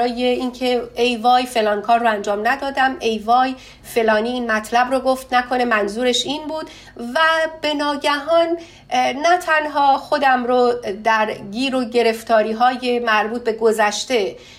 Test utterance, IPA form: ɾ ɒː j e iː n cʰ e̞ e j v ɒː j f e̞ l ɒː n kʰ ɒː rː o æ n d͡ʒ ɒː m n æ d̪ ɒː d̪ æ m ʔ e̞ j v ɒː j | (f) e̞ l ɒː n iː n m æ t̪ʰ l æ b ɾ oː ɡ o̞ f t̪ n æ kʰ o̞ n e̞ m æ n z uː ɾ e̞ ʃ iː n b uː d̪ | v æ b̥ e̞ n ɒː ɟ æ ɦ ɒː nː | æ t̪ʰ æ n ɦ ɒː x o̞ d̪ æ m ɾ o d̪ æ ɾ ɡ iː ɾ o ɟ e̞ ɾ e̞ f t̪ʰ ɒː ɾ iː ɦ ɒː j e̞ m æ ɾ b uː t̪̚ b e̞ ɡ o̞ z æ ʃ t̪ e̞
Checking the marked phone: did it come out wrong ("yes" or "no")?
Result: no